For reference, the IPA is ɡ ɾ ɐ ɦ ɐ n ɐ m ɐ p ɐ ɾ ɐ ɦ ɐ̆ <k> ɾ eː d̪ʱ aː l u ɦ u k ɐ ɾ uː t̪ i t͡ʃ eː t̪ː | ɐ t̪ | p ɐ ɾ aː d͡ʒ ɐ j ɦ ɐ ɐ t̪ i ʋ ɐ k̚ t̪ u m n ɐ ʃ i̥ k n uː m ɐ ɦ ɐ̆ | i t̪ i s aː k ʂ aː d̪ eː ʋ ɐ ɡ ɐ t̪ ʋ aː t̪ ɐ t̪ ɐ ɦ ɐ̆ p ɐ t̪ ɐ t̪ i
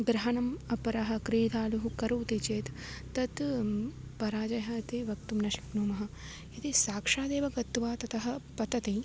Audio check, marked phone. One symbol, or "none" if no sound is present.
k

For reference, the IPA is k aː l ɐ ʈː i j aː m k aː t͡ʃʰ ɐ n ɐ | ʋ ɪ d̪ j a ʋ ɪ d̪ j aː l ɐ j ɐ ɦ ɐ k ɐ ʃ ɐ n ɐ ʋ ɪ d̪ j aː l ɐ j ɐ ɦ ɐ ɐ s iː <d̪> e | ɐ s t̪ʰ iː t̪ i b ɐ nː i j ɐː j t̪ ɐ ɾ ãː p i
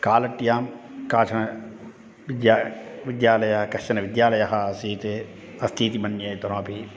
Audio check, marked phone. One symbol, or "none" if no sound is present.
t̪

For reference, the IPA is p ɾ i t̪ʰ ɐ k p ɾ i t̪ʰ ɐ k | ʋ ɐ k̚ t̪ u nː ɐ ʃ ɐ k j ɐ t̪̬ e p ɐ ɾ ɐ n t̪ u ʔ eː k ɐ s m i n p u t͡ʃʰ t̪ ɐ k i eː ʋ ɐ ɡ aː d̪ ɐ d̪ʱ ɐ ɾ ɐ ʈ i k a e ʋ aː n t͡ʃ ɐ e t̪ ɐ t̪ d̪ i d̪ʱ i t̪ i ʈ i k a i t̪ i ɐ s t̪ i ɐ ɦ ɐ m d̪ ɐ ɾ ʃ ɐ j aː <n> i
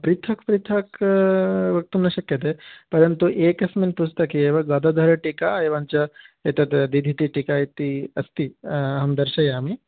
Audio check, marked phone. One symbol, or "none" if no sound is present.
m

